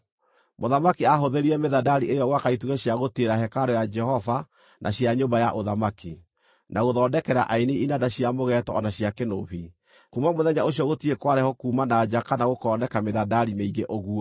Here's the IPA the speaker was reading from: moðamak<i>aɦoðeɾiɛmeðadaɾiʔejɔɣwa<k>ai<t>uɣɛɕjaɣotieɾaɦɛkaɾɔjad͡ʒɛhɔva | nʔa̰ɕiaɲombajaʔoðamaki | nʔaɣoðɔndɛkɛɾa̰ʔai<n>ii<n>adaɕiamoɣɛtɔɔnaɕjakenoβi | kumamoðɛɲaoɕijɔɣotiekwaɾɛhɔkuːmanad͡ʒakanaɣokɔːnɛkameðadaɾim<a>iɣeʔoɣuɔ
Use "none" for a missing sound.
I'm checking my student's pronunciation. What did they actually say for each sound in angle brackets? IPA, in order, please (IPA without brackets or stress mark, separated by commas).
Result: i, k, t, n, n, e